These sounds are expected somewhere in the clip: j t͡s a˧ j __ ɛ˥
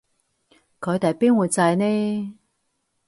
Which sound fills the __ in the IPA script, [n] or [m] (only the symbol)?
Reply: n